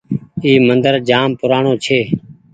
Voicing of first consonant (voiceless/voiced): voiced